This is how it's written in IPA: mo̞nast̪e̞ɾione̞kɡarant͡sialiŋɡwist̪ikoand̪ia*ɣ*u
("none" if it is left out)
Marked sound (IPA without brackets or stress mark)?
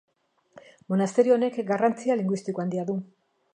ð